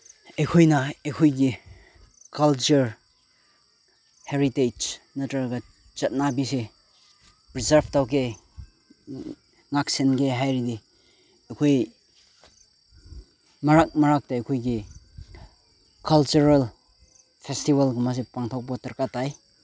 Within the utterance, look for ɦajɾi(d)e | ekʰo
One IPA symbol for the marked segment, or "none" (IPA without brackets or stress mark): d